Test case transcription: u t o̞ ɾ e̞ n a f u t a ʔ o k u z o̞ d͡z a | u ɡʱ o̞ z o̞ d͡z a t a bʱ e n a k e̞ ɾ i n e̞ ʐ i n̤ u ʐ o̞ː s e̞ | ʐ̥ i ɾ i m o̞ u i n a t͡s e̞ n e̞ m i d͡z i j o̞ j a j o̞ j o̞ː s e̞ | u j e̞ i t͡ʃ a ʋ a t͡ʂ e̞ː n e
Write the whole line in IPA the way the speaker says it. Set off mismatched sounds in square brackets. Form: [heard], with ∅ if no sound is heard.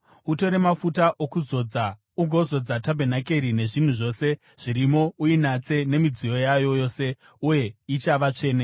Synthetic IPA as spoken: u t o̞ ɾ e̞ [m] a f u t a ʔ o k u z o̞ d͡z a | u ɡʱ o̞ z o̞ d͡z a t a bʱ e n a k e̞ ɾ i n e̞ ʐ i n̤ u ʐ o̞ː s e̞ | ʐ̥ i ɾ i m o̞ u i n a t͡s e̞ n e̞ m i d͡z i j o̞ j a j o̞ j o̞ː s e̞ | u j e̞ i t͡ʃ a ʋ a t͡ʂ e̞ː n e